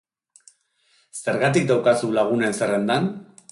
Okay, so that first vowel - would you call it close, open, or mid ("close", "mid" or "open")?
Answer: mid